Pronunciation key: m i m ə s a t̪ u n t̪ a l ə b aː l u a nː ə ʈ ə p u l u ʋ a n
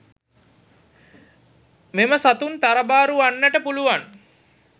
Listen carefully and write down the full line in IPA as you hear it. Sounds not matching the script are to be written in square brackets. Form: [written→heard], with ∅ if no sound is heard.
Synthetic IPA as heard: m [i→e] m ə s a t̪ u n t̪ a [l→ɾ] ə b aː [l→ɾ] u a nː ə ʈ ə p u l u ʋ a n